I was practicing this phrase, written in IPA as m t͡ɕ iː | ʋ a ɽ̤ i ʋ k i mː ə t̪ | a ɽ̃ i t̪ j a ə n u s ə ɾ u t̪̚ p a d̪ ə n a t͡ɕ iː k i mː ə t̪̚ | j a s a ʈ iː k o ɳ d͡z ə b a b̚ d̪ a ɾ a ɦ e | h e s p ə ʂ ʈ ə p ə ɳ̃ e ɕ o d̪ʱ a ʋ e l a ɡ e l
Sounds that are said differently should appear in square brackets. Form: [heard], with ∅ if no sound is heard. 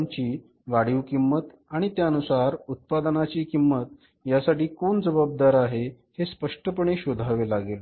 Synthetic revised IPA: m t͡ɕ iː | ʋ a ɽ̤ i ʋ k i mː ə t̪ | a ɽ̃ i t̪ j a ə n u s [a] ɾ u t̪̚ p a d̪ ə n a t͡ɕ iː k i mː ə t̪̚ | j a s a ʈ iː k o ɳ d͡z ə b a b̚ d̪ a ɾ a ɦ e | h e s p ə ʂ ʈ ə p ə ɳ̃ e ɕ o d̪ʱ a ʋ e l a ɡ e l

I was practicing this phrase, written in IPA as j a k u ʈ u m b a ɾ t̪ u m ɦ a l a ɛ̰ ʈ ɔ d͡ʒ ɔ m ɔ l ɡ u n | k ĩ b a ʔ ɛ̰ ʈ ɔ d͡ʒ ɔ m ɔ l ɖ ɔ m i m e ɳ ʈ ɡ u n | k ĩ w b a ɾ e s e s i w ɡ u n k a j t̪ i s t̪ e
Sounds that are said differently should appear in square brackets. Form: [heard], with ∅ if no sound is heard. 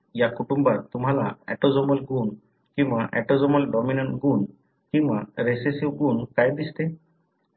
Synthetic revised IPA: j a k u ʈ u m b a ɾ t̪ u m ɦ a l a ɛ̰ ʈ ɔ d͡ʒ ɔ m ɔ l ɡ u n | k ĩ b a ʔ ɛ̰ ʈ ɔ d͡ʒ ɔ m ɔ l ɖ ɔ m i [n] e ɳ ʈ ɡ u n | k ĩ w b a ɾ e s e s i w ɡ u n k a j [d̪] i s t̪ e

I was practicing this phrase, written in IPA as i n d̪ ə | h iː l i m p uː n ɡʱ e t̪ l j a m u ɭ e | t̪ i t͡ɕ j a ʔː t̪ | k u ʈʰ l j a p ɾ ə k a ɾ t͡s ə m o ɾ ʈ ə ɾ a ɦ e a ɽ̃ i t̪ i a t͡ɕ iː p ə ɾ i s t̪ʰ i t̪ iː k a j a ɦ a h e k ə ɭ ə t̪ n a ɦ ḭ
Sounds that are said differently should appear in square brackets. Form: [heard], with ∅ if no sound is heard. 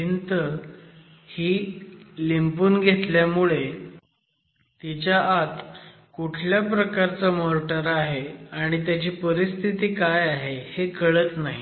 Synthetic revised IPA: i n [t̪] ə | h iː l i m p uː n ɡʱ e t̪ l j a m u ɭ e | t̪ i t͡ɕ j a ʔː t̪ | k u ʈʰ l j a p ɾ ə k a ɾ t͡s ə m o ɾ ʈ ə ɾ a ɦ e a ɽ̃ i t̪ [j] a t͡ɕ iː p ə ɾ i s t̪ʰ i t̪ iː k a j a ɦ [e] h e k ə ɭ ə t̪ n a ɦ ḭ

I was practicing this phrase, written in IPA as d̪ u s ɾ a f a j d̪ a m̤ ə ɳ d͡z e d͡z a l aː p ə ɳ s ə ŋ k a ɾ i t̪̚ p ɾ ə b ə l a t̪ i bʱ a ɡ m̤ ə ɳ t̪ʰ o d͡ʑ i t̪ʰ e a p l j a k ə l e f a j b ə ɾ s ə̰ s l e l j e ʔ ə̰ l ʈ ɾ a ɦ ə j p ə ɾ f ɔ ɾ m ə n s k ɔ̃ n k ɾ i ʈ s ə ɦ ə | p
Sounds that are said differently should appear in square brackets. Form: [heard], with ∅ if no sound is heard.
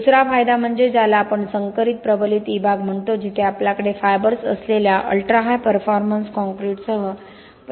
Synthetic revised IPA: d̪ u s ɾ a f a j d̪ a m̤ ə ɳ d͡z e d͡z a l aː p ə ɳ s ə ŋ k [ə] ɾ i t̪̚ p ɾ ə b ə l [i] t̪ i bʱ a ɡ m̤ ə ɳ [t̪] o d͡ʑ i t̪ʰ e a p l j a k ə [ɽ] e f a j b ə ɾ s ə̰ s l e l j [a] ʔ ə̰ l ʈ ɾ a ɦ [a] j p ə ɾ f ɔ ɾ m ə n s k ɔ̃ [ŋ] k ɾ i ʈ s ə ɦ ə | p

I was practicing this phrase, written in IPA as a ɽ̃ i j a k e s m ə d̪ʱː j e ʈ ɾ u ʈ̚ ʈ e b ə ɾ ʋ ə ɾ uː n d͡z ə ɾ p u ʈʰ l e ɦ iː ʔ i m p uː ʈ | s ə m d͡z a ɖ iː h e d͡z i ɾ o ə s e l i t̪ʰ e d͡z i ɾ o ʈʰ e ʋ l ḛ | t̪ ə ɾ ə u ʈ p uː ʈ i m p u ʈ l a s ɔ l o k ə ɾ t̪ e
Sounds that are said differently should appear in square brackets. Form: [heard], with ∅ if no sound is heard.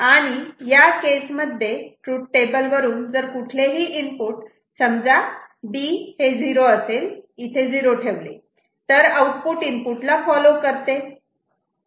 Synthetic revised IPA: a ɽ̃ i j a k e s m ə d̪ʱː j e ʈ ɾ u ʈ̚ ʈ e b ə [l] ʋ ə ɾ uː n d͡z ə ɾ [k] u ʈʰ l e ɦ iː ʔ i m p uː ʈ | s ə m d͡z a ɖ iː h e d͡z i ɾ o ə s e l i t̪ʰ e d͡z i ɾ o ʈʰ e ʋ l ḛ | t̪ ə ɾ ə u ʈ p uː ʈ i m p u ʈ l a [f] ɔ l o k ə ɾ t̪ e

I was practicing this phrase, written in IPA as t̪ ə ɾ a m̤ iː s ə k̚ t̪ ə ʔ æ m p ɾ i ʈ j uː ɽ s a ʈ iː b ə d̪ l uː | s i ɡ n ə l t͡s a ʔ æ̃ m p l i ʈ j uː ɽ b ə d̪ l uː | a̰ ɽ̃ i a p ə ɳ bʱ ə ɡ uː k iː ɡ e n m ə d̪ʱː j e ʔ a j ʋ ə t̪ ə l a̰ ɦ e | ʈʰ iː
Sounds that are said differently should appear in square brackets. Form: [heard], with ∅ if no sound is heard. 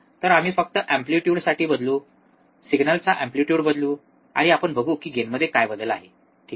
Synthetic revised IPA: t̪ ə ɾ a m̤ iː [f] ə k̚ t̪ ə ʔ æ m p [l] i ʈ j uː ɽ s a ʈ iː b ə d̪ l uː | s i ɡ n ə l t͡s a ʔ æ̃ m p l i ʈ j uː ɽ b ə d̪ l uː | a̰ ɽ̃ i a p ə ɳ bʱ ə ɡ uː k iː ɡ e n m ə d̪ʱː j e [k] a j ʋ ə [d̪] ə l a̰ ɦ e | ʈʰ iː

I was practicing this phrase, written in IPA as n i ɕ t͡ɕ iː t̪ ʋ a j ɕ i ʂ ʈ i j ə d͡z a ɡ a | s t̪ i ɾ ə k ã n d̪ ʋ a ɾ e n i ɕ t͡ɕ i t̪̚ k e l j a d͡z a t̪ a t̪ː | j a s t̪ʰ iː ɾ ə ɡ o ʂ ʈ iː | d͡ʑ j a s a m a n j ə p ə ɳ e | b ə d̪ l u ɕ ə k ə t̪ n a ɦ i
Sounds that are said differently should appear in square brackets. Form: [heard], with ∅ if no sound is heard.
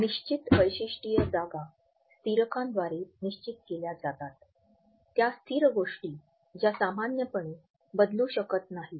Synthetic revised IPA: n i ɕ t͡ɕ [i] t̪ ʋ [ə] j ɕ i ʂ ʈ i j ə d͡z a ɡ a | s t̪ i ɾ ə k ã n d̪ ʋ a ɾ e n i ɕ t͡ɕ i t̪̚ k e l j a d͡z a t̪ a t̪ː | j a s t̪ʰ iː ɾ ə ɡ o ʂ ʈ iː | d͡ʑ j a s a m a n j ə p ə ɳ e | b ə d̪ l u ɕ ə k ə t̪ n a ɦ i

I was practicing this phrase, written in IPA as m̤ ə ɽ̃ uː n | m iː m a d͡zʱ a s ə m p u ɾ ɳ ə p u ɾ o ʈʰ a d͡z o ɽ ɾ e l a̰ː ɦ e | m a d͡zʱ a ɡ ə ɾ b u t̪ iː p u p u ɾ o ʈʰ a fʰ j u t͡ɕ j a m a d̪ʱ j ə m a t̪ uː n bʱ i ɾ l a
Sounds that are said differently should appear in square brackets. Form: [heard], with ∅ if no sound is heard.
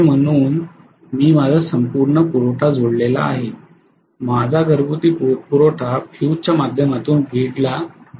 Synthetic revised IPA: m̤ ə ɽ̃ uː n | m iː m a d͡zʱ a s ə m p u ɾ ɳ ə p u ɾ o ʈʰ a d͡z o ɽ [l] e l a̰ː ɦ e | m a d͡zʱ a ɡ ə ɾ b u t̪ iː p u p u ɾ o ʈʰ a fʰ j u t͡ɕ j a m a d̪ʱ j ə m a t̪ uː n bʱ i [ɽ] l a

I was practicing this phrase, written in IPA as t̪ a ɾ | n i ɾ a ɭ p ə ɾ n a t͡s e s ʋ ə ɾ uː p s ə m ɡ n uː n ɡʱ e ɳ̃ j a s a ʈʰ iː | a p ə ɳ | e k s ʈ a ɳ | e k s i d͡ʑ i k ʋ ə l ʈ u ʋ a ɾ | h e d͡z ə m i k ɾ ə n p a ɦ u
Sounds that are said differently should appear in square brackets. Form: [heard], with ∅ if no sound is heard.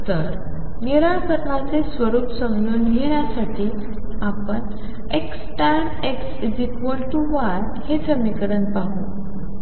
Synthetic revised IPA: t̪ [ə] ɾ | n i ɾ a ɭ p ə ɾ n a t͡s e s ʋ ə ɾ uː p s ə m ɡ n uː n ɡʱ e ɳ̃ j a s a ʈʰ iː | a p ə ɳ | e k s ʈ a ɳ | e k s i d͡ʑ i k ʋ ə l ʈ u ʋ a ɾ | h e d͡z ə m i k ɾ ə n p a ɦ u

